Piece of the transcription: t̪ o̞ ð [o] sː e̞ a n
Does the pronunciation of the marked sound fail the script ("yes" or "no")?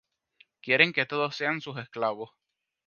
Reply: no